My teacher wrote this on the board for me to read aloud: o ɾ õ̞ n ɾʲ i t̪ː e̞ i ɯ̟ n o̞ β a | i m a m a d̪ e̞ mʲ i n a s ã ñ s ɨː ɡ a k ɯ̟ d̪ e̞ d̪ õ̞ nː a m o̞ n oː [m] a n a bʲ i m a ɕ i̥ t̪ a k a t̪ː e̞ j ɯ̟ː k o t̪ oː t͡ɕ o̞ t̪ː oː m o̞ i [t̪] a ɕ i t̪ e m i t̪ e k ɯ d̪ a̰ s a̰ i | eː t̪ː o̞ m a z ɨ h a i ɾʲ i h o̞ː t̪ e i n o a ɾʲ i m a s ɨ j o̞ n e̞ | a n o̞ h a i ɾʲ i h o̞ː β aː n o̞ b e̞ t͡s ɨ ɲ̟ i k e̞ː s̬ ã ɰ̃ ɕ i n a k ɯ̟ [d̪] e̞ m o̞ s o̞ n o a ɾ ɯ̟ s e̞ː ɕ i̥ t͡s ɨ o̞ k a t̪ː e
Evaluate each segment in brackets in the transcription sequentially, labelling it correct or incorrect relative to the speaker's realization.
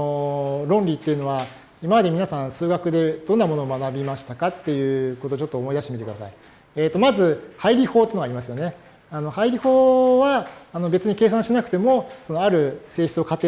correct, incorrect: d̪, incorrect: t̪

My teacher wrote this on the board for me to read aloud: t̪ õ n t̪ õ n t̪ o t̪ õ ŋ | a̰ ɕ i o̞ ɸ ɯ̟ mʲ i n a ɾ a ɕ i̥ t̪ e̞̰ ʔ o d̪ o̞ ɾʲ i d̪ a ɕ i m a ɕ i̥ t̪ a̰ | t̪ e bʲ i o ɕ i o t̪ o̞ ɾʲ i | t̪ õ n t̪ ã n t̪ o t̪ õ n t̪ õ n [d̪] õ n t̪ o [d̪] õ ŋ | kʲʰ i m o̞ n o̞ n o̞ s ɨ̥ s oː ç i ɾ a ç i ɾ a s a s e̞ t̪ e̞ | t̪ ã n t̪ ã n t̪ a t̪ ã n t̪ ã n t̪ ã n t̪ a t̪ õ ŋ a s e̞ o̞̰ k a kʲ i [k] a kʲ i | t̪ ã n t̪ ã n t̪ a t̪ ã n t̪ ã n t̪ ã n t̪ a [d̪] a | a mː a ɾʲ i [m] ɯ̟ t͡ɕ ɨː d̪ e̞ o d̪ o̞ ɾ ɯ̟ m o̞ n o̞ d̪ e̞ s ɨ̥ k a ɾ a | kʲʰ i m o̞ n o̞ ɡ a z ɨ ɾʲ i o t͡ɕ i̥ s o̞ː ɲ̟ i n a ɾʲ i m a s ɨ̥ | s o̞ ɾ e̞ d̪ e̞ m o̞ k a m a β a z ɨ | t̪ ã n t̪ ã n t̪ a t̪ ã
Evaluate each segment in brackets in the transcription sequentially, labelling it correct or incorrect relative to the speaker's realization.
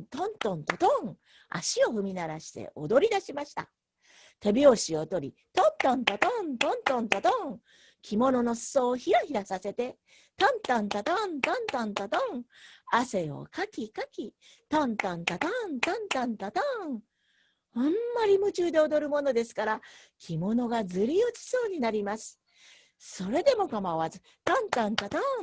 incorrect: t̪, incorrect: t̪, correct, incorrect: t̪, correct

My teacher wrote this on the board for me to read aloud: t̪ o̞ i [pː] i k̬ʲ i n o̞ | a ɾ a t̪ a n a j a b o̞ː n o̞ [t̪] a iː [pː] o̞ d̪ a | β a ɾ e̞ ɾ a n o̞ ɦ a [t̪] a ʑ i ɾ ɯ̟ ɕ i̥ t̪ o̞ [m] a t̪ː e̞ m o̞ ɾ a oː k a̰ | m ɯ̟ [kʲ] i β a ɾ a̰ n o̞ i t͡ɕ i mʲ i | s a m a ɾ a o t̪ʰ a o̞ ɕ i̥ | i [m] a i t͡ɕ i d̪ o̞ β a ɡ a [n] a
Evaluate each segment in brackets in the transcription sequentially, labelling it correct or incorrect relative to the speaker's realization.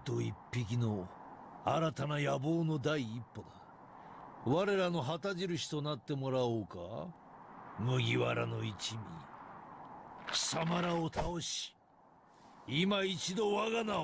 correct, incorrect: d̪, correct, correct, incorrect: n, incorrect: ɡʲ, correct, correct

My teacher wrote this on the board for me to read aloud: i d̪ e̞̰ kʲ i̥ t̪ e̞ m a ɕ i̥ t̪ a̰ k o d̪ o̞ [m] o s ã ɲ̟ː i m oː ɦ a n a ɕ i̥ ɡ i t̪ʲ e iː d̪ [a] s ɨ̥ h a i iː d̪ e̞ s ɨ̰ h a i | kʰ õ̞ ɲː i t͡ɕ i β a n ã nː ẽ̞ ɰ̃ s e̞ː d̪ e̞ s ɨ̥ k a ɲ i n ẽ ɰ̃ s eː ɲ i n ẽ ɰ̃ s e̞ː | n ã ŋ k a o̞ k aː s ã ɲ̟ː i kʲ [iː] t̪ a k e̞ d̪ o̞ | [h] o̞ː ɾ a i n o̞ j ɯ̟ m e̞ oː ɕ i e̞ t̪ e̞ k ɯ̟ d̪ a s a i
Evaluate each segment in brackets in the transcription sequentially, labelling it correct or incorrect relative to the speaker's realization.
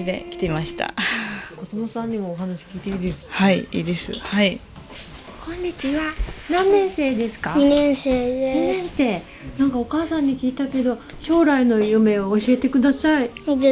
correct, incorrect: e, correct, incorrect: ɕ

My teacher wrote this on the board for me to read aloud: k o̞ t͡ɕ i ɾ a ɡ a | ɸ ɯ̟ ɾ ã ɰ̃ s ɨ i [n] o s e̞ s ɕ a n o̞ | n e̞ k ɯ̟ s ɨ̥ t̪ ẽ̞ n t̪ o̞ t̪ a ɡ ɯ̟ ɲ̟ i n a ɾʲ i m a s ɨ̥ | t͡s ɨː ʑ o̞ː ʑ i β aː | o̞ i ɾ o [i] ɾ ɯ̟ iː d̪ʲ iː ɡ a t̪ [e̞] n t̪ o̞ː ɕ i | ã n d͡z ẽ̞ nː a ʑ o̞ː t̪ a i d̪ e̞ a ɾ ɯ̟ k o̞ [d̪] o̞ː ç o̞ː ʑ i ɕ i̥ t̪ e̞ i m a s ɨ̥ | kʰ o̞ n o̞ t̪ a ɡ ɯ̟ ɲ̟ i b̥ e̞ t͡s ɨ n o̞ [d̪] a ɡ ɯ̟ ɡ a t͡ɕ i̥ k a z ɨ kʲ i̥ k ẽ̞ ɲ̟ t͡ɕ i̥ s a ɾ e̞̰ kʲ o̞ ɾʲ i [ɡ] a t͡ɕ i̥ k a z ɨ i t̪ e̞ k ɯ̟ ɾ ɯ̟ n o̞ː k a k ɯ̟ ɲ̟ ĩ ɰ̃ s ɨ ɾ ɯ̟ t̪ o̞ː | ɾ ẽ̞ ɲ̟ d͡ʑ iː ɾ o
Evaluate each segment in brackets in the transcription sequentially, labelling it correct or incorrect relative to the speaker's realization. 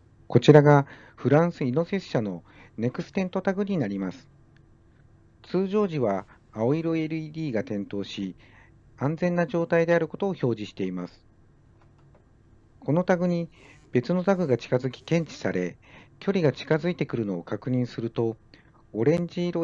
correct, incorrect: e, incorrect: ẽ̞, incorrect: t̪, incorrect: t̪, correct

